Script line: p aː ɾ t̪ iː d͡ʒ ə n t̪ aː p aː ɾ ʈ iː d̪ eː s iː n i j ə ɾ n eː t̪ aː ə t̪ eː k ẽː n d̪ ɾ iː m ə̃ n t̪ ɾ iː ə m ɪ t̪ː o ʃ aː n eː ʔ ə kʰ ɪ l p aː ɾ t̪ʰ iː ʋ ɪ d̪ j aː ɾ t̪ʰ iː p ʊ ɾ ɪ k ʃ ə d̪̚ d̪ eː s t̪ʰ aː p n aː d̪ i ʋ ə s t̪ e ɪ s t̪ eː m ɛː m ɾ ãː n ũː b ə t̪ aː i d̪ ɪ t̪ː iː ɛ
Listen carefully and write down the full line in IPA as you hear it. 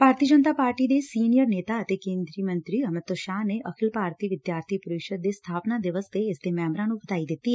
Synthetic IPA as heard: p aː ɾ t̪ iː d͡ʒ ə n t̪ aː p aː ɾ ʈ iː d̪ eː s iː n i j ə ɾ n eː t̪ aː ə t̪ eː k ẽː n d̪ ɾ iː m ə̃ n t̪ ɾ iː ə m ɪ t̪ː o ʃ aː n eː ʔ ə kʰ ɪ l p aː ɾ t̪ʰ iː ʋ ɪ d̪ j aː ɾ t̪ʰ iː p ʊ ɾ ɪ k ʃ ə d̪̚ d̪ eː s t̪ʰ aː p n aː d̪ ɪ ʋ ə s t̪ e ɪ s d̪ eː m ɛː m ɾ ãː n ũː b ə t̪ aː i d̪ ɪ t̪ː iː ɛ

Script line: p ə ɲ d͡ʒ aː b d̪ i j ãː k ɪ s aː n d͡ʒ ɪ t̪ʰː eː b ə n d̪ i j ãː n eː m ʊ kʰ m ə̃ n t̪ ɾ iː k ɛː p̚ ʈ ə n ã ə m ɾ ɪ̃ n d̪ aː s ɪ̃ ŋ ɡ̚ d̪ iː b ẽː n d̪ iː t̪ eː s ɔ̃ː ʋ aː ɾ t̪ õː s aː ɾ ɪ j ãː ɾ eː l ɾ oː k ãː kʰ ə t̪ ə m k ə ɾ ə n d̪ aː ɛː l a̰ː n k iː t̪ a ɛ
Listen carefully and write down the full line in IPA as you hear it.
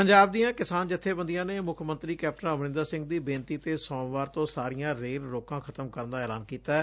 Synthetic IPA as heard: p ə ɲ d͡ʒ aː b d̪ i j ãː k ɪ s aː n d͡ʒ ɪ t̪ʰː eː b ə n d̪ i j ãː n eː m ʊ kʰ m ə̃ n t̪ ɾ iː k ɛː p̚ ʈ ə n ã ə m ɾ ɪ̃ n d̪ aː s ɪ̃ ŋ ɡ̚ d̪ iː b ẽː n t̪ iː t̪ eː s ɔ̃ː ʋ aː ɾ t̪ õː s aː ɾ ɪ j ãː ɾ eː l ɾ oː k ãː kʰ ə t̪ ə m k ə ɾ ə n d̪ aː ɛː l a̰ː n k iː t̪ a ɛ

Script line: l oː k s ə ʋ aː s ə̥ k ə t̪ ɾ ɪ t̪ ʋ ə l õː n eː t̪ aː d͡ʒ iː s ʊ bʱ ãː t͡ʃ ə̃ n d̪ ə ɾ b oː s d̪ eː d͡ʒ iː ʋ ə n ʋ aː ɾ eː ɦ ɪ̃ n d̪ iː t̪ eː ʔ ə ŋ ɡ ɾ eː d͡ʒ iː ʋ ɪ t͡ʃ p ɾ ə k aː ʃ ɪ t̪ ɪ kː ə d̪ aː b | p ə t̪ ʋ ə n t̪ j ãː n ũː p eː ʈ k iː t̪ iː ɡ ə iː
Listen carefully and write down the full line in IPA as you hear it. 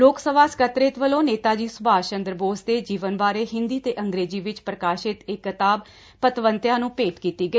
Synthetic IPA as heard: l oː k s ə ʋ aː s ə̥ k ə t̪ ɾ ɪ t̪ ʋ ə l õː n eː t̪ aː d͡ʒ iː s ʊ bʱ aː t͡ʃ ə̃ n d̪ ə ɾ b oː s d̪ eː d͡ʒ iː ʋ ə n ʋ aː ɾ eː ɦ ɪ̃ n d̪ iː t̪ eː ʔ ə ŋ ɡ ɾ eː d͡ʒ iː ʋ ɪ t͡ʃ p ɾ ə k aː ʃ ɪ t̪ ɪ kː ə t̪ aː b | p ə t̪ ʋ ə n t̪ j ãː n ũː p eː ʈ k iː t̪ iː ɡ ə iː

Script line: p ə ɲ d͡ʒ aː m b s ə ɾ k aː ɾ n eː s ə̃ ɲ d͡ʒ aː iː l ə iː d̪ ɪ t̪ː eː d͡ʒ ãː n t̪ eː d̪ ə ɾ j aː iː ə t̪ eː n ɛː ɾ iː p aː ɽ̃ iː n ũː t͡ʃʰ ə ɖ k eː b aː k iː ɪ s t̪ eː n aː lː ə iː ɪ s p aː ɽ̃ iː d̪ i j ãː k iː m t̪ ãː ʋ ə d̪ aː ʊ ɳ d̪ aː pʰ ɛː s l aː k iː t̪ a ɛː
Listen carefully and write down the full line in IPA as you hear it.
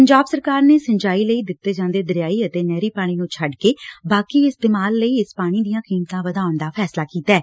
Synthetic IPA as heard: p ə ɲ d͡ʒ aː b s ə ɾ k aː ɾ n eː s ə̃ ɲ d͡ʒ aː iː l ə iː d̪ ɪ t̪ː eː d͡ʒ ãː n d̪ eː d̪ ə ɾ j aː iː ə t̪ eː n ɛː ɾ iː p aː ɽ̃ iː n ũː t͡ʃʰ ə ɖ k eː b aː k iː ɪ s t̪ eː m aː lː ə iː ɪ s p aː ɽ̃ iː d̪ i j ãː k iː m t̪ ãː ʋ ə d̪ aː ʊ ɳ d̪ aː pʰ ɛː s l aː k iː t̪ a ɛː

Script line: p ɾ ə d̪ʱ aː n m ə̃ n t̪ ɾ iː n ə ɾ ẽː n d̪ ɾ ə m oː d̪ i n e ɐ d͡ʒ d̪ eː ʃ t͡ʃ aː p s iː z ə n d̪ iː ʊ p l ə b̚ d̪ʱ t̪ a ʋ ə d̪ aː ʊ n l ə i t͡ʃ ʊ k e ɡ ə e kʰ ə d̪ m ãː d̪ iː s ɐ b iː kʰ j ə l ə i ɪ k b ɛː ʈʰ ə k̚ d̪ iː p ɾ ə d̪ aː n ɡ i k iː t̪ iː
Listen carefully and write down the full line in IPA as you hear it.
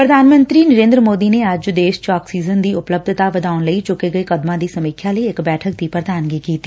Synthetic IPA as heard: p ɾ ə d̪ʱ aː n m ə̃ n t̪ ɾ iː n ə ɾ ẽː n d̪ ɾ ə m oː d̪ i n e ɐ d͡ʒ d̪ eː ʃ t͡ʃ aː k s iː z ə n d̪ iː ʊ p l ə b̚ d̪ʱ t̪ a ʋ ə d̪ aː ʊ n l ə i t͡ʃ ʊ k e ɡ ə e k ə d̪ m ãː d̪ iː s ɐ m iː kʰ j a l ə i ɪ k b ɛː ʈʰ ə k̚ d̪ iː p ɾ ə d̪ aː n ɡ i k iː t̪ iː

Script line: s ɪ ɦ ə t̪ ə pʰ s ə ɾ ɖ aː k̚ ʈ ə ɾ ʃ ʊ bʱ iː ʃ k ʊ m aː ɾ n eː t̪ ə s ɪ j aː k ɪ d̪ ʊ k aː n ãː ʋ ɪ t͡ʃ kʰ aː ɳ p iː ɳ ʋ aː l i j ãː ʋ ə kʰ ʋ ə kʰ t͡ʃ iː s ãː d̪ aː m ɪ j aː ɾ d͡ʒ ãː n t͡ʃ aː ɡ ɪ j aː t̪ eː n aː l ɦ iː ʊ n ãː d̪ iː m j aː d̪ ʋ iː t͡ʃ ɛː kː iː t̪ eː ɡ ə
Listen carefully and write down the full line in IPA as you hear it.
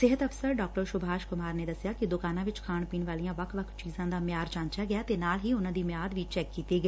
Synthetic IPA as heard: s ɪ ɦ ə t̪ ə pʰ s ə ɾ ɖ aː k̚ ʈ ə ɾ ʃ ʊ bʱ aː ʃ k ʊ m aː ɾ n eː d̪ ə s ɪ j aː k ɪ d̪ ʊ k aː n ãː ʋ ɪ t͡ʃ kʰ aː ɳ p iː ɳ ʋ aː l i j ãː ʋ ə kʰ ʋ ə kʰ t͡ʃ iː z ãː d̪ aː m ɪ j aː ɾ d͡ʒ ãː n t͡ʃ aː ɡ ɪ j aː t̪ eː n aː l ɦ iː ʊ n ãː d̪ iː m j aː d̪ ʋ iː t͡ʃ ɛː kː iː t̪ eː ɡ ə

